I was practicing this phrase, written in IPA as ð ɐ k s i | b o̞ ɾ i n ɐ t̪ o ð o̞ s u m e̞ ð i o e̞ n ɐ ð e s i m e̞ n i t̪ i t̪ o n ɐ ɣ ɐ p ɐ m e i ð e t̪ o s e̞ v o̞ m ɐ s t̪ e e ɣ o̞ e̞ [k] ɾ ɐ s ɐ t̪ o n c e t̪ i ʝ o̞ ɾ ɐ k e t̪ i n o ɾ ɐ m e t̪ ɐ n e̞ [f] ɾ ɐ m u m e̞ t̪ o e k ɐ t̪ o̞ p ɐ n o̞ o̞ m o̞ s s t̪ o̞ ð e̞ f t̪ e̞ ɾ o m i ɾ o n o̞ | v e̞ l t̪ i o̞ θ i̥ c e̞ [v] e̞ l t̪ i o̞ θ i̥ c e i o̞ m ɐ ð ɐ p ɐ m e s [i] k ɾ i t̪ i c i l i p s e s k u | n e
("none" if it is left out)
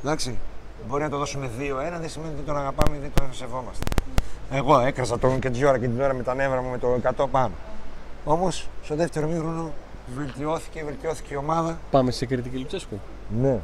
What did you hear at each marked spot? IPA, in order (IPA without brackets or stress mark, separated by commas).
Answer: k, v, v, e